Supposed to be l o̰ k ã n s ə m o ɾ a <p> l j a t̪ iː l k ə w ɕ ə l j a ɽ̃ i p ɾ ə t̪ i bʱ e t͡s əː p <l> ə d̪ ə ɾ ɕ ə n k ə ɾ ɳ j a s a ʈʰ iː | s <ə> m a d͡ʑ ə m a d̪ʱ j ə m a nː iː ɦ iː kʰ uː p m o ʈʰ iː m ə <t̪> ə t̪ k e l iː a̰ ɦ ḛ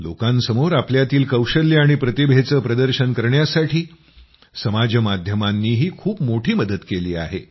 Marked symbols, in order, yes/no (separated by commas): yes, no, yes, no